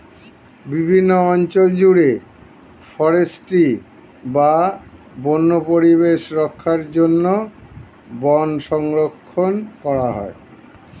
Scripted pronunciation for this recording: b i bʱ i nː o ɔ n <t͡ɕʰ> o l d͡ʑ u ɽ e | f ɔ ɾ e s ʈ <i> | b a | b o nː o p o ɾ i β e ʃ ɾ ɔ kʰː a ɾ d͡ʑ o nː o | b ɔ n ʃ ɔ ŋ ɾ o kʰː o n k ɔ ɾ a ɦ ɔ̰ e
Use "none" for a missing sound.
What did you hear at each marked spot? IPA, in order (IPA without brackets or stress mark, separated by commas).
t͡ɕ, i